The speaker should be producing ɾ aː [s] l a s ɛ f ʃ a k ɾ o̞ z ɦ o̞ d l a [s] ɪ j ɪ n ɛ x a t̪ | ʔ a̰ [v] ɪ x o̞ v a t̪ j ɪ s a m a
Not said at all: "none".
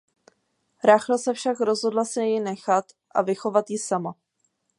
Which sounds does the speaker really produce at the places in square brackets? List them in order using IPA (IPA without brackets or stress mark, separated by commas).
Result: x, s, v